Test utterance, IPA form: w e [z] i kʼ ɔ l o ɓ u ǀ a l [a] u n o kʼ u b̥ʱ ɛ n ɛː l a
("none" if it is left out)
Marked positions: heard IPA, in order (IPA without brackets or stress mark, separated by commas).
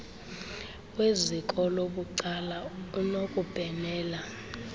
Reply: z, a